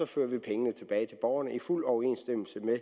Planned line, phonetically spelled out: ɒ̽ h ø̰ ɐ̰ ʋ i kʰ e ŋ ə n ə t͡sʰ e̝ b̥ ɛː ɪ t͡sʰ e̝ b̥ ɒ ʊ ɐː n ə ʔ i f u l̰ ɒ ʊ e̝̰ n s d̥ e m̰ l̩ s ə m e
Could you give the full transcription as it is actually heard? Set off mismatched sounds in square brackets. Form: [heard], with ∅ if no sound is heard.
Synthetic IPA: ɒ̽ [f] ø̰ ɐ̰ ʋ i [pʰ] e ŋ ə n ə t͡sʰ e̝ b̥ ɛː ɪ t͡sʰ e̝ b̥ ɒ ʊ [ɐ] n ə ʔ i f u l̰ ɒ ʊ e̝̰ n s d̥ e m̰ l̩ s ə m e